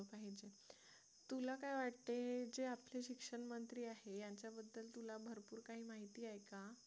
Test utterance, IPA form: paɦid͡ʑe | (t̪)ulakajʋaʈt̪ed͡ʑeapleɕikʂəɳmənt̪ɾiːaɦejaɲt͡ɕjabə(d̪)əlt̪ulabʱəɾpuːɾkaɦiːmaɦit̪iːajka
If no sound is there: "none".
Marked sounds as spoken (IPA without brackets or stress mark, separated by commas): t̪, d̪ː